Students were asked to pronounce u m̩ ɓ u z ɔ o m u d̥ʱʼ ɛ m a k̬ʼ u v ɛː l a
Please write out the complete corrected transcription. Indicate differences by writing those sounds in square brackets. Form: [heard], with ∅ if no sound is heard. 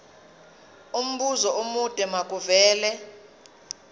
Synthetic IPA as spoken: u m̩ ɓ u z ɔ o m u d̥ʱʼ ɛ m a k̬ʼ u v ɛː l [ɛ]